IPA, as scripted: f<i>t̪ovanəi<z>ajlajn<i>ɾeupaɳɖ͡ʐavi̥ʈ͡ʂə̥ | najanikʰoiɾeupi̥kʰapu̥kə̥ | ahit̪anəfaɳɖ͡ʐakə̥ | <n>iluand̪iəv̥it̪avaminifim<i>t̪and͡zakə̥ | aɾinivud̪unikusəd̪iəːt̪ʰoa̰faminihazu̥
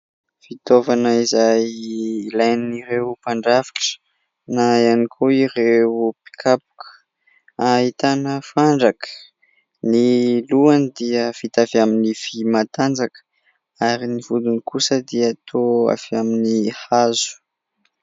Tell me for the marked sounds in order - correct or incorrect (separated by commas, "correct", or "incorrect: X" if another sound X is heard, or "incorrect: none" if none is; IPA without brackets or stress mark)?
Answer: correct, correct, correct, correct, incorrect: a